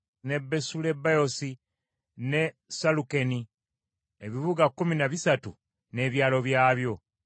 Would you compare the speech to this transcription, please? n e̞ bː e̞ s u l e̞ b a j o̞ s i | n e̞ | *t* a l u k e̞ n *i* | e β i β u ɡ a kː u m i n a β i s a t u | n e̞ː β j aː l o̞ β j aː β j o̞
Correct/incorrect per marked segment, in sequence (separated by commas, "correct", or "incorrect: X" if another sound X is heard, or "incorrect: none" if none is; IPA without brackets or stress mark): incorrect: s, correct